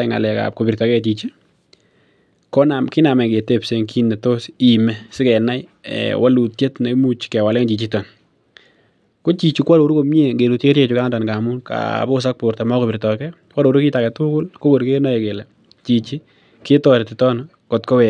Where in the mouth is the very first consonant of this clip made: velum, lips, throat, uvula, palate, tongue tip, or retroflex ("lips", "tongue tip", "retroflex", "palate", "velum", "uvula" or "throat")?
velum